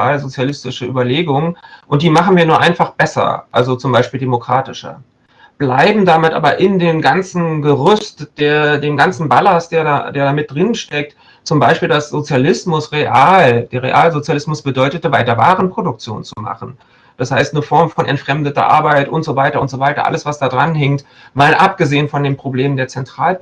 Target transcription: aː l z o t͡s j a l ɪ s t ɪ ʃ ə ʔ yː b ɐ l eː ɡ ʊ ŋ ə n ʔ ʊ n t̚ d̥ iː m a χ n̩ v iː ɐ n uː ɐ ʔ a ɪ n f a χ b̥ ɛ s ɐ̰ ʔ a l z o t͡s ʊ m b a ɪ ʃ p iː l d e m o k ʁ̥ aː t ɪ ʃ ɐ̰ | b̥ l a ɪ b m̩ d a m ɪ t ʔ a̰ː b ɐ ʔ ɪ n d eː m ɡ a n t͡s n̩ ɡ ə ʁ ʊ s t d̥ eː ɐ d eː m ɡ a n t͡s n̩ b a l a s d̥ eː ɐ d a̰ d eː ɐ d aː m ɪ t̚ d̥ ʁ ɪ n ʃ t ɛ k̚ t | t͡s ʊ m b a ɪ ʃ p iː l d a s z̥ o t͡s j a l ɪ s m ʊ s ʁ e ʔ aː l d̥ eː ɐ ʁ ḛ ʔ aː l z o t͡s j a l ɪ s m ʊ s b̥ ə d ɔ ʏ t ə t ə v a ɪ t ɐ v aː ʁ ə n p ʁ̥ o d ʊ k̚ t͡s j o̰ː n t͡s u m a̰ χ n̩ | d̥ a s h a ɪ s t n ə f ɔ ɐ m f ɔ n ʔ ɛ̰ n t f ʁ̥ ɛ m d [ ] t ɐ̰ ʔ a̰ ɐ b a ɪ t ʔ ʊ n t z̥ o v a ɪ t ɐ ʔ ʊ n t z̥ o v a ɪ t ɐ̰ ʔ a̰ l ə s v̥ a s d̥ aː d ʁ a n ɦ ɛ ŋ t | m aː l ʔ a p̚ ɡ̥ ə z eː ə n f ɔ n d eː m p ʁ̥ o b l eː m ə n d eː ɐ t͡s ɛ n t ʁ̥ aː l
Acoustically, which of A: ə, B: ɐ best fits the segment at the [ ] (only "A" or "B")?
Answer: A